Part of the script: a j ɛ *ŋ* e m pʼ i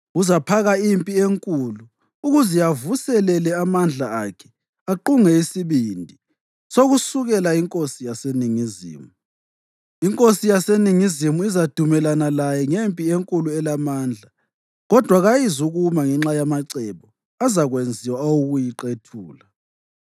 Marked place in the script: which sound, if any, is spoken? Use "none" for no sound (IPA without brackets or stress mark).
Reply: ŋ